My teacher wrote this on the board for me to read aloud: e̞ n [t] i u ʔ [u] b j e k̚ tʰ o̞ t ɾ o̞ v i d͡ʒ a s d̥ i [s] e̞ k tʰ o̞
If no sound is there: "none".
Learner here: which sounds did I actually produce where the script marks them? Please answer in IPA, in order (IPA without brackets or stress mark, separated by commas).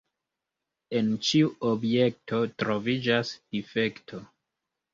t͡ʃ, o, f